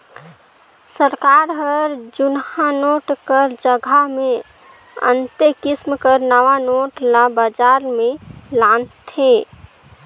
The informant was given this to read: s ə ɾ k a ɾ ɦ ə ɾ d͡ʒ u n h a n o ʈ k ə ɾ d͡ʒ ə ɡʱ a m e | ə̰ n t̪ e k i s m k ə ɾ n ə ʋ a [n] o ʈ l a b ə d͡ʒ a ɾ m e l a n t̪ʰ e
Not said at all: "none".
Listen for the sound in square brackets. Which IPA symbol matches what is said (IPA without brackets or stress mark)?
n